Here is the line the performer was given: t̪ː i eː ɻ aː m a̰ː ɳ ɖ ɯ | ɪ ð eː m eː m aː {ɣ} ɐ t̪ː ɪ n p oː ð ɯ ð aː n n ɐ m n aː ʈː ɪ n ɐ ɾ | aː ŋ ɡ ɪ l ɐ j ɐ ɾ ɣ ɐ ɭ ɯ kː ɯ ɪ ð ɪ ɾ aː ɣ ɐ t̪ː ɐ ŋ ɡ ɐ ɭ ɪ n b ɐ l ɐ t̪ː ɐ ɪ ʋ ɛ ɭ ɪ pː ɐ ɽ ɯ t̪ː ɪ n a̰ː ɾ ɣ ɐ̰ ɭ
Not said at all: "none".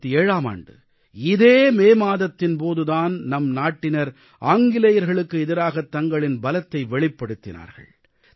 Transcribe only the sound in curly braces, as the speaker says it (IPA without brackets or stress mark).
ð